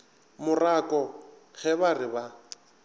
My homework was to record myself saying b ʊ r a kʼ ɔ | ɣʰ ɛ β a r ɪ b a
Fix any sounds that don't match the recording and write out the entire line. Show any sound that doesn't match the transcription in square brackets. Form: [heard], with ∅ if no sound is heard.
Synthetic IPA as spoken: [m] ʊ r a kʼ ɔ | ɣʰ ɛ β a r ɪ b a